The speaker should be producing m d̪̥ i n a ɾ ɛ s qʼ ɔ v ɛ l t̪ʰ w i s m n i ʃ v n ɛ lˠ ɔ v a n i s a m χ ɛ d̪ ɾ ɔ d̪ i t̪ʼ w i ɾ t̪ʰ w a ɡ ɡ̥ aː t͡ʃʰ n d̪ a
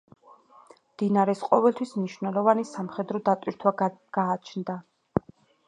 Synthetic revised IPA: m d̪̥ i n a ɾ ɛ s qʼ ɔ v ɛ l t̪ʰ w i s m n i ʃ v n ɛ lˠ ɔ v a n i s a m χ ɛ d̪ ɾ ɔ d̪ a t̪ʼ w i ɾ t̪ʰ w a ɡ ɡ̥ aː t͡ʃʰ n d̪ a